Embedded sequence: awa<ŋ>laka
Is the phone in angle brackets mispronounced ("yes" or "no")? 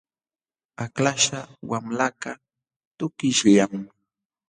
yes